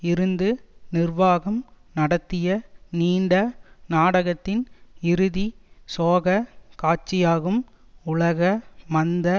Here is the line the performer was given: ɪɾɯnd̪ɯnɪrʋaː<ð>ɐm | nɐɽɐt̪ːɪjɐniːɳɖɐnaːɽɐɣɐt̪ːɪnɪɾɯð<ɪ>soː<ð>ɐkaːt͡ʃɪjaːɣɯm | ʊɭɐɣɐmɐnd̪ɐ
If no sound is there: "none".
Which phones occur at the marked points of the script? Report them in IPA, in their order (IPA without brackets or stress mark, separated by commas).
ɣ, i, ɣ